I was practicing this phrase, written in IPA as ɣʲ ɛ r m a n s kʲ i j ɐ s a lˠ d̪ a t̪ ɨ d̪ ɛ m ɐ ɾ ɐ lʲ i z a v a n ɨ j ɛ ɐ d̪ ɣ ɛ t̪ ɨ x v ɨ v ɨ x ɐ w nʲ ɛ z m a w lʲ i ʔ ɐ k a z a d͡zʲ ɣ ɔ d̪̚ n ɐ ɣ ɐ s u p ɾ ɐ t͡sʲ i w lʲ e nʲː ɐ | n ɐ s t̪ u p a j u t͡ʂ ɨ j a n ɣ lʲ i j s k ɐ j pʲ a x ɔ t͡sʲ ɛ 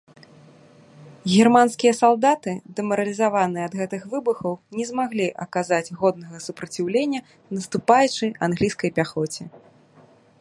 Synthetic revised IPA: ɣʲ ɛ r m a n s kʲ i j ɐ s a lˠ d̪ a t̪ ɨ d̪ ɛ m ɐ ɾ ɐ lʲ i z a v a n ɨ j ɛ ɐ d̪ ɣ ɛ t̪ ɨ x v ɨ b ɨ x ɐ w nʲ ɛ z m a ɣ lʲ i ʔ ɐ k a z a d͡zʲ ɣ ɔ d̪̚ n ɐ ɣ ɐ s u p ɾ ɐ t͡sʲ i w lʲ e nʲː ɐ | n ɐ s t̪ u p a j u t͡ʂ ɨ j a n ɣ lʲ i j s k ɐ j pʲ a x ɔ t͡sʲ ɛ